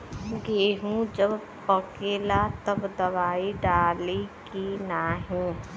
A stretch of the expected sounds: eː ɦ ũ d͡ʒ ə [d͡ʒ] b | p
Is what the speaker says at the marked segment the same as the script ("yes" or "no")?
no